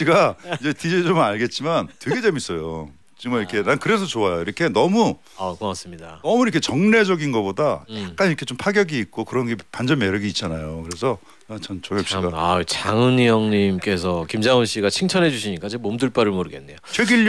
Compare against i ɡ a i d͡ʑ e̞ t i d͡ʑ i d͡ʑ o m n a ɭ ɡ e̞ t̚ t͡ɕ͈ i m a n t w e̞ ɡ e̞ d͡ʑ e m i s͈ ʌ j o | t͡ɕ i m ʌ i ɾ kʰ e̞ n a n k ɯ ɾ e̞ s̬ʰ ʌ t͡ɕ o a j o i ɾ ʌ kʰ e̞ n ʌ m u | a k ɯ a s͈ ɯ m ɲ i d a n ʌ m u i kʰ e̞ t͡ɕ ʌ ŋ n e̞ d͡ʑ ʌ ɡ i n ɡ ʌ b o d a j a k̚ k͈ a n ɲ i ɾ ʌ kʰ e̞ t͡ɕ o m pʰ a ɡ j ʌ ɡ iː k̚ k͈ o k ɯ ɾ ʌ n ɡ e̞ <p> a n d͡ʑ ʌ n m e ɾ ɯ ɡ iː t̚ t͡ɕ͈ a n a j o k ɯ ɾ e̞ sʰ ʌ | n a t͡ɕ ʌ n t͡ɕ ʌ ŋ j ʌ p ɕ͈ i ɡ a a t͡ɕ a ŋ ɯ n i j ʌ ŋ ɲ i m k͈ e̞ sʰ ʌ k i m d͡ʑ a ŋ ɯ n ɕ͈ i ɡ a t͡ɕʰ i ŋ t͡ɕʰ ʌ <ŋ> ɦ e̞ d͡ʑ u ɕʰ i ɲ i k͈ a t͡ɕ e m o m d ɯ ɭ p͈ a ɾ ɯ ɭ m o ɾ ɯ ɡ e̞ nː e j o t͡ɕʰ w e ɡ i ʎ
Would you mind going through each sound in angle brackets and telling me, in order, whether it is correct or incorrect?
correct, incorrect: n

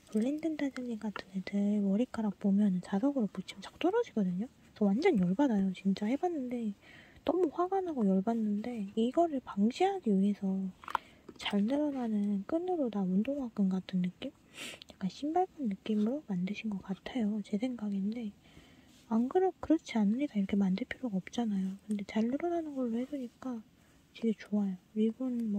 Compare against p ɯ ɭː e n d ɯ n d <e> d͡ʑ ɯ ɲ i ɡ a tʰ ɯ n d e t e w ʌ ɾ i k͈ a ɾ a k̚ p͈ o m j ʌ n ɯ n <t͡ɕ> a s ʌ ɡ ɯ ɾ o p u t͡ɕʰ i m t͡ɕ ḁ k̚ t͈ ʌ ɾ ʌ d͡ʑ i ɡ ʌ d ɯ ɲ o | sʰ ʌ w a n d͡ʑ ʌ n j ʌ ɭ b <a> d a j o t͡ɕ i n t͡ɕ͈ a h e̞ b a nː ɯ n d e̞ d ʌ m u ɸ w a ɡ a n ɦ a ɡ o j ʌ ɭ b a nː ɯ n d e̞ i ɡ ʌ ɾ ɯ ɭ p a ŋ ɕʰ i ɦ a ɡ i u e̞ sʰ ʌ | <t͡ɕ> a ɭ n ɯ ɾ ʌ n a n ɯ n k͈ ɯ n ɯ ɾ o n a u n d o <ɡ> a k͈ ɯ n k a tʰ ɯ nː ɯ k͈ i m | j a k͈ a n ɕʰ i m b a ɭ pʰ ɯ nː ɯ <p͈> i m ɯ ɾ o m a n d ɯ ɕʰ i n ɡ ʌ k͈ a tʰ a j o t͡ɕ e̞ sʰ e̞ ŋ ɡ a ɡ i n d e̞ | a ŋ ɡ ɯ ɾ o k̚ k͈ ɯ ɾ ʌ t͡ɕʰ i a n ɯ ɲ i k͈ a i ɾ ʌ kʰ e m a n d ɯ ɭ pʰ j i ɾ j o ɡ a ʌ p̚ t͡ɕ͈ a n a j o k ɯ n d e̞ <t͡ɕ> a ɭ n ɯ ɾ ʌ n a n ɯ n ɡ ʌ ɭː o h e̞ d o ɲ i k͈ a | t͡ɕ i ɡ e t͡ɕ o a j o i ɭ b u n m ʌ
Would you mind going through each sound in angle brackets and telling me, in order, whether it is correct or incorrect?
incorrect: a, correct, correct, correct, incorrect: ŋ, incorrect: k͈, correct

